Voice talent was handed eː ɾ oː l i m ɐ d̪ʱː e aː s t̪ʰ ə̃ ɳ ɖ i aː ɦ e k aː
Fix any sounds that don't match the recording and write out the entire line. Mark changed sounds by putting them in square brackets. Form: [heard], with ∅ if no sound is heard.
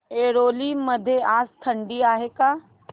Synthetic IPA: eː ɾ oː l i m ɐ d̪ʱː e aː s t̪ʰ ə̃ ɳ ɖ i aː ɦ e k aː